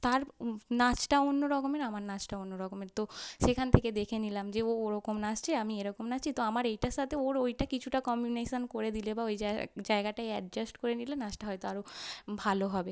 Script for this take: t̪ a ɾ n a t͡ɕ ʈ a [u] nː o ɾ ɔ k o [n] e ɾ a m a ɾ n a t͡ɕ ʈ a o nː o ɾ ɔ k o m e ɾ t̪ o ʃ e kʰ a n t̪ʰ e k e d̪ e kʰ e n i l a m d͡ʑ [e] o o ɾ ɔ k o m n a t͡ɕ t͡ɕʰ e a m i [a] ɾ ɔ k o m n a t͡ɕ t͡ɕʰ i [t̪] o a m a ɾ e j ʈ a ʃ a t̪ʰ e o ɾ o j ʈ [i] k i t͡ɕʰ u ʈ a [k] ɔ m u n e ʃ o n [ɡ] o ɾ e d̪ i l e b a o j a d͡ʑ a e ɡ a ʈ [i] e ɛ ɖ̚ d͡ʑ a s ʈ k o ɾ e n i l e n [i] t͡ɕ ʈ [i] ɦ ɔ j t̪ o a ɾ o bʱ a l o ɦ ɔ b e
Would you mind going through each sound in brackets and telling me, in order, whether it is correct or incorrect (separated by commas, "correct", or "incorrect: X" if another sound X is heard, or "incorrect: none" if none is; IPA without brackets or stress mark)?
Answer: incorrect: o, incorrect: m, correct, incorrect: e, correct, incorrect: a, correct, incorrect: k, incorrect: a, incorrect: a, incorrect: a